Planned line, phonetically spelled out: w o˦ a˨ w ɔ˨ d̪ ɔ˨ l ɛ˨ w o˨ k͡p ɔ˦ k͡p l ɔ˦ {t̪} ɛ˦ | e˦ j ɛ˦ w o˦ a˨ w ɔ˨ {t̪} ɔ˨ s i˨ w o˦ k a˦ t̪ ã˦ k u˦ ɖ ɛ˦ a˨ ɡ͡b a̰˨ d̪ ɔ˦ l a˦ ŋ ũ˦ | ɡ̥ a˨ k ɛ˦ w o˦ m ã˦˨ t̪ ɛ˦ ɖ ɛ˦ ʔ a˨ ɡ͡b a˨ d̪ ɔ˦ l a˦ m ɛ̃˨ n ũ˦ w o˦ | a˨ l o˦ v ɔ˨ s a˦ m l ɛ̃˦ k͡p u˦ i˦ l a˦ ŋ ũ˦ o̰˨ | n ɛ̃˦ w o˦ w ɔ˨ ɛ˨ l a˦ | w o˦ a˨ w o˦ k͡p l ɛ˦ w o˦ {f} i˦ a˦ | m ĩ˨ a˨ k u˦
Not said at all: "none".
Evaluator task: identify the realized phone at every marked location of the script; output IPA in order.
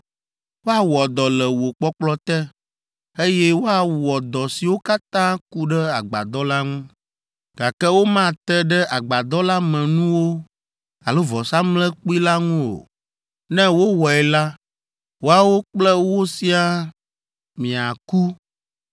t̪, d̪, s

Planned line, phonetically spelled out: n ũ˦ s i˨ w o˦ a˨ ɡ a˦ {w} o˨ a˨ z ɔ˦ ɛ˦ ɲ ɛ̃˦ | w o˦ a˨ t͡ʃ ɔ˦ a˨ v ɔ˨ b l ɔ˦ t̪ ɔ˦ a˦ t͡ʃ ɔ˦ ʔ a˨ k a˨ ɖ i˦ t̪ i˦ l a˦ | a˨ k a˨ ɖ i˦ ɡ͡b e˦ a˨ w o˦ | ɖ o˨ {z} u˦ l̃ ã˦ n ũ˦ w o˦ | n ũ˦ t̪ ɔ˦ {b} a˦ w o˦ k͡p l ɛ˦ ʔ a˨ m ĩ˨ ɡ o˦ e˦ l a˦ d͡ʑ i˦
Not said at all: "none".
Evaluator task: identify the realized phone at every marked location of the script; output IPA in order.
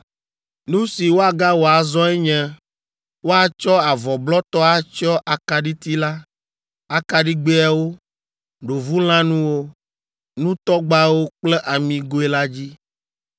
w, v, ɡ͡b

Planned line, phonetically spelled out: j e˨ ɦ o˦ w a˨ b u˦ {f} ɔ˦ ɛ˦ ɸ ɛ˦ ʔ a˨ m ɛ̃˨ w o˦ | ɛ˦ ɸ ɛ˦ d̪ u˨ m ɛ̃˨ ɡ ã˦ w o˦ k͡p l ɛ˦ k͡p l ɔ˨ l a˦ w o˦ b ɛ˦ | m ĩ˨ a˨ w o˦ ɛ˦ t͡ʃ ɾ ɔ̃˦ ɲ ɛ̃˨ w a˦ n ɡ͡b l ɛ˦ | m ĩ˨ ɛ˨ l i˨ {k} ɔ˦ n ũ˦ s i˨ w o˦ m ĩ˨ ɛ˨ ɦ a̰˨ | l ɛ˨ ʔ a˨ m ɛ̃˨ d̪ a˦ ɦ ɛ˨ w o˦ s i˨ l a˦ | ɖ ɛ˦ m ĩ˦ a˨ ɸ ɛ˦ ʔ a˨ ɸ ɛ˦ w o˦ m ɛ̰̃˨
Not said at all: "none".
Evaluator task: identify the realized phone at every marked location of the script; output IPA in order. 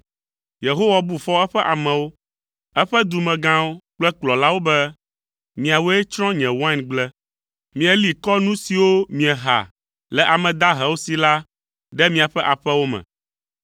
f, k

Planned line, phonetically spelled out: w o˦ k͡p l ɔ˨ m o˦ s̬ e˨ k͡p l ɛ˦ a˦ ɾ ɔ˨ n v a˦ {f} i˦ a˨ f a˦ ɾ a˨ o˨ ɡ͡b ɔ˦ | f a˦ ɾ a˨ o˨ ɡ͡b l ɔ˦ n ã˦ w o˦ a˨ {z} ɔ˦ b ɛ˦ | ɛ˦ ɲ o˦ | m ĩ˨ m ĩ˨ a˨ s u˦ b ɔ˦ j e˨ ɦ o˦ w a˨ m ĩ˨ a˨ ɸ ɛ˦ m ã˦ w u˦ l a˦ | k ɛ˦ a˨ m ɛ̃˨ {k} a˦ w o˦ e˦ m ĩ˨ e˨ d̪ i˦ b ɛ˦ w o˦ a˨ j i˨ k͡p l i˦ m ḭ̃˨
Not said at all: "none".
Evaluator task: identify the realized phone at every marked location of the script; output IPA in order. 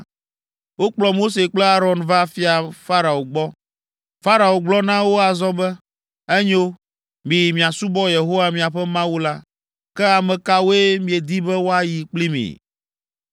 f, z, k

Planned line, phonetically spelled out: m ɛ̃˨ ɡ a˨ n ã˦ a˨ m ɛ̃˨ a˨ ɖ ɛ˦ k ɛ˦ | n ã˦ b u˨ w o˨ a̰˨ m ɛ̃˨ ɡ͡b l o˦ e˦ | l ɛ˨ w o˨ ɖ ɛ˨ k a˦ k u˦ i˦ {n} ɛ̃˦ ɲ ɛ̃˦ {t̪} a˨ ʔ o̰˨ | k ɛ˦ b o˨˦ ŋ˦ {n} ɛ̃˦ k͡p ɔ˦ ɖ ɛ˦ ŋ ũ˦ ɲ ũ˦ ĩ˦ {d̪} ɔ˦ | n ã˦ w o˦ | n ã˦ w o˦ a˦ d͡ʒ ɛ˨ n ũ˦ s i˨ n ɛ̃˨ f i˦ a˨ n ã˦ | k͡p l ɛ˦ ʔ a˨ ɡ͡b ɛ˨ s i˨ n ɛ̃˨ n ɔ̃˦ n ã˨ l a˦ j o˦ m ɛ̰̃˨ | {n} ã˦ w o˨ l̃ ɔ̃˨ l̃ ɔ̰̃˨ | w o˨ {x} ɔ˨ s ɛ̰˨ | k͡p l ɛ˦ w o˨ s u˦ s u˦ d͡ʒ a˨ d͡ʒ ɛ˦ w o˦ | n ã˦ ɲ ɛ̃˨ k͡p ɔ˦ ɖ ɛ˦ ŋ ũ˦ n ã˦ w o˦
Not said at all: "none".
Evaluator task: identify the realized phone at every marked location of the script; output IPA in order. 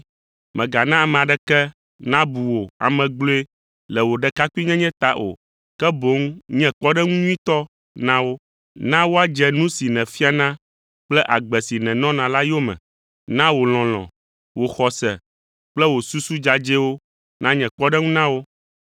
ɲ, t̪, ɲ, t̪, n, x

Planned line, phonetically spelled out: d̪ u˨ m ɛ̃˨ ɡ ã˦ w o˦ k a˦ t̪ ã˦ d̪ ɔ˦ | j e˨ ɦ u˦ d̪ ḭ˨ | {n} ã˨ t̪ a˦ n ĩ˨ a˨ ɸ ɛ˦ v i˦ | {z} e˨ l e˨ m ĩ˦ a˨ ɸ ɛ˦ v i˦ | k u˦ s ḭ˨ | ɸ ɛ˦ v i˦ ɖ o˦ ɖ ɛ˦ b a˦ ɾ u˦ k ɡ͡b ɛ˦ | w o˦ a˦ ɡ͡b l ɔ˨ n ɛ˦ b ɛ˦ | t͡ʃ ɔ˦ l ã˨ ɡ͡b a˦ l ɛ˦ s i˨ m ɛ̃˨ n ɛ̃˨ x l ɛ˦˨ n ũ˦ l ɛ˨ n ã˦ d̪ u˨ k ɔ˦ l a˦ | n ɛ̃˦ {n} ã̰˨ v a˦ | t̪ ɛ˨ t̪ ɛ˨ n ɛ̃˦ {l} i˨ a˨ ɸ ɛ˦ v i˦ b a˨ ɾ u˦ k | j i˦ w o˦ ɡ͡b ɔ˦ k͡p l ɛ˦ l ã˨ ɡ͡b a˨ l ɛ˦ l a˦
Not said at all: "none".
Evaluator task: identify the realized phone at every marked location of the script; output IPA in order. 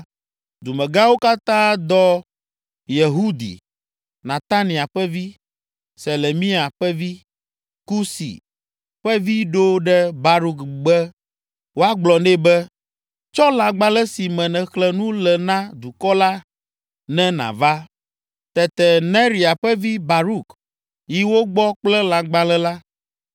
n, s, n, ɾ

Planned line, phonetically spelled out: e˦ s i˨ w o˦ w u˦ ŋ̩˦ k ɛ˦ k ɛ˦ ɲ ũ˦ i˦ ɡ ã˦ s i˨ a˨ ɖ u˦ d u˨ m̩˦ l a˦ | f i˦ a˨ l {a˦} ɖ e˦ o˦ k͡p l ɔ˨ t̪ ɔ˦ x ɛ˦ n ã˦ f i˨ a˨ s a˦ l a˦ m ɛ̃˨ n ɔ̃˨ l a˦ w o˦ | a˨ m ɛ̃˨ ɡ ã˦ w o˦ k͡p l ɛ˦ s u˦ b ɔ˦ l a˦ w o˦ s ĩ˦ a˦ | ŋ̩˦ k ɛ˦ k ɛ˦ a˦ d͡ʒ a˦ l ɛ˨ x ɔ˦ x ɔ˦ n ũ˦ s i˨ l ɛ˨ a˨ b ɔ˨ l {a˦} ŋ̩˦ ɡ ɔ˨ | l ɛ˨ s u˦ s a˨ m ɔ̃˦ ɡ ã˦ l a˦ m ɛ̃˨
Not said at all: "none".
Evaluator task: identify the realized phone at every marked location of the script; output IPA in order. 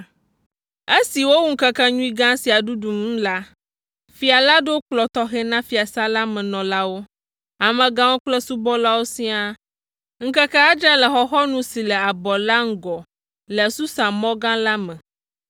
a˦, a˦

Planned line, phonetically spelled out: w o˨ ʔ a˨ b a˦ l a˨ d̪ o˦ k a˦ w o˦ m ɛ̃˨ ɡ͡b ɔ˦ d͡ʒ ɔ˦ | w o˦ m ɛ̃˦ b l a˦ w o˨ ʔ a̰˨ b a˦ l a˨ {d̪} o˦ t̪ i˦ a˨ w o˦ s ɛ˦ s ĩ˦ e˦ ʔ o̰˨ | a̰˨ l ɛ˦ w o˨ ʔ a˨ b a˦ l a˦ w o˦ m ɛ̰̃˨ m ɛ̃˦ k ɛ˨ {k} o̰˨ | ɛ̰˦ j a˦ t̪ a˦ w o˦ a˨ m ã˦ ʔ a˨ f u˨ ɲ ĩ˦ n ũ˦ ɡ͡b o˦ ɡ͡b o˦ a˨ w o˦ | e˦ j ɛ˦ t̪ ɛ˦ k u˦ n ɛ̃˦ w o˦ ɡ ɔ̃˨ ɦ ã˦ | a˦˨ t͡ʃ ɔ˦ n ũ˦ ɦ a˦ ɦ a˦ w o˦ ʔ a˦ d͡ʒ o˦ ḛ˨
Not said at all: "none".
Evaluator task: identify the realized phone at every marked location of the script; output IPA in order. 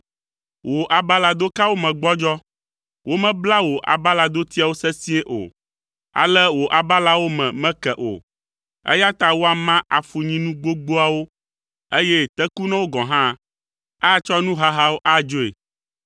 d̪, ʔ

